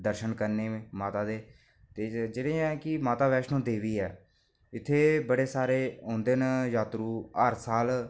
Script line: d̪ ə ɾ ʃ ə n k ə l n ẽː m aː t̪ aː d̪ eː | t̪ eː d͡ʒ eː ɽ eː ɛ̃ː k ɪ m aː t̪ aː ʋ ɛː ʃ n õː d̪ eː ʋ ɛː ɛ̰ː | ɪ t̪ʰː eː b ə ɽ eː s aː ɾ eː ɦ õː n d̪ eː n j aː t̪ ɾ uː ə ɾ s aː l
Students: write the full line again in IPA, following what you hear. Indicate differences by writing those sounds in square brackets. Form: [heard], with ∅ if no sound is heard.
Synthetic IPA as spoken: d̪ ə ɾ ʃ ə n k ə [ɾ] n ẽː m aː t̪ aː d̪ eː | t̪ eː d͡ʒ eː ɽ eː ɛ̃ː k ɪ m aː t̪ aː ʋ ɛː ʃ n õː d̪ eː ʋ [iː] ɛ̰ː | ɪ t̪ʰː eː b ə ɽ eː s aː ɾ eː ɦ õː n d̪ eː n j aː t̪ ɾ uː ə ɾ s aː l